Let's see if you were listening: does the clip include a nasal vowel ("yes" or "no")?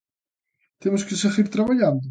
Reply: no